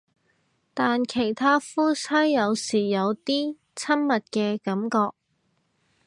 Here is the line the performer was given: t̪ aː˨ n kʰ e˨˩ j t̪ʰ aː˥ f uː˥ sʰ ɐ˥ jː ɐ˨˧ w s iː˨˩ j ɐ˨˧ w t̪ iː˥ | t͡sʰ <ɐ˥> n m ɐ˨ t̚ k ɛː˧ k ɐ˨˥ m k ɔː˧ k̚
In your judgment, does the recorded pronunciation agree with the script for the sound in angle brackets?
yes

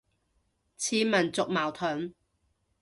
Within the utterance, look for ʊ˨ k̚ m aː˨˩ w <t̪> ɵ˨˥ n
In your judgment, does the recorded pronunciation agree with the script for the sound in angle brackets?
no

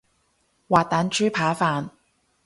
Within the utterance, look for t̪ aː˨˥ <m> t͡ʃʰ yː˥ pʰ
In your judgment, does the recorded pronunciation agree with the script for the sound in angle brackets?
no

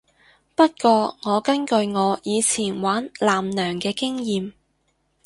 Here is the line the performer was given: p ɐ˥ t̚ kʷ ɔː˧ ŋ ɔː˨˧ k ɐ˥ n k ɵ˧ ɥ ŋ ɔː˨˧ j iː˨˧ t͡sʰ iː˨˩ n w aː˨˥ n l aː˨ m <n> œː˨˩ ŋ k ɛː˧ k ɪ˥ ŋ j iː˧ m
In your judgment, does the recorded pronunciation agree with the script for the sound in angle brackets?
yes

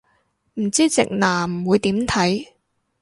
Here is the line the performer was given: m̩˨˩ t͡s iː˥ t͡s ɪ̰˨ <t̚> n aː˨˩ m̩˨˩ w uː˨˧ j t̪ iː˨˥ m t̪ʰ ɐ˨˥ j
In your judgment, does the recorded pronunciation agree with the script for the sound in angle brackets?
no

